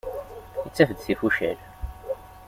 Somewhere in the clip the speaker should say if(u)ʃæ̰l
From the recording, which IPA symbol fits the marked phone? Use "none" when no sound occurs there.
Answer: u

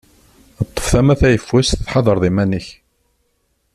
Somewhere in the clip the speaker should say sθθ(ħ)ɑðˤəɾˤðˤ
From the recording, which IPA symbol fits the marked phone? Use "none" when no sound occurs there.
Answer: ħ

